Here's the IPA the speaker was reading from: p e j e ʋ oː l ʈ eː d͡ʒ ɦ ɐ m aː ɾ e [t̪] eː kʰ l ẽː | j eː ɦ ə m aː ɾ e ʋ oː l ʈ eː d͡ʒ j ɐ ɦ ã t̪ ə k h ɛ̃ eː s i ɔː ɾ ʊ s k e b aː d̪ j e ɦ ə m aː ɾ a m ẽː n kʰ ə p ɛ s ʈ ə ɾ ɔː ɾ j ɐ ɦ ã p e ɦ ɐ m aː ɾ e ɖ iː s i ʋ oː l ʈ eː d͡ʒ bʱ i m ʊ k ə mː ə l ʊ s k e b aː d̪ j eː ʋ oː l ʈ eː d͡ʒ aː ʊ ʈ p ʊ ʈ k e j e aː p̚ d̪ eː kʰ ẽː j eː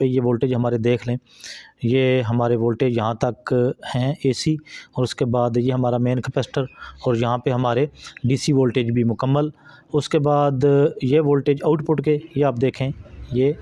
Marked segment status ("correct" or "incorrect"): incorrect